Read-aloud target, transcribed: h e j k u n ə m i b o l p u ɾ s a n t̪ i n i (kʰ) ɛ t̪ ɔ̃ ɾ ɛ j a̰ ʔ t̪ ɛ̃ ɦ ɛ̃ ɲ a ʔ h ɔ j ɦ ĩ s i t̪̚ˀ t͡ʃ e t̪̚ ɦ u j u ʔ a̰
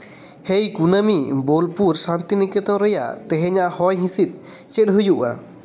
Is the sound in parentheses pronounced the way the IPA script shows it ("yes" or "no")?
no